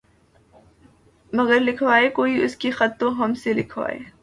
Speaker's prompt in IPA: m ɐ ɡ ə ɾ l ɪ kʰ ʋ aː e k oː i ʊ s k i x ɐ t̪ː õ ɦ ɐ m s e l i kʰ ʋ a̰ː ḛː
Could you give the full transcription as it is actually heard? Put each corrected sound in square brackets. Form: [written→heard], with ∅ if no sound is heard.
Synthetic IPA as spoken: m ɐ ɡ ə ɾ l ɪ kʰ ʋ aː e k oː i ʊ s k i x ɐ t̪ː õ ɦ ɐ m s e l [i→ɪ] kʰ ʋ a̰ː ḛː